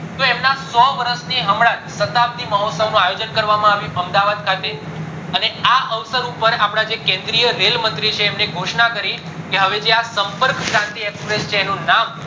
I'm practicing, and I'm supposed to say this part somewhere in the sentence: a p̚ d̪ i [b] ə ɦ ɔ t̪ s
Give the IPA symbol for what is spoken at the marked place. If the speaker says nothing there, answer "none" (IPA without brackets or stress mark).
m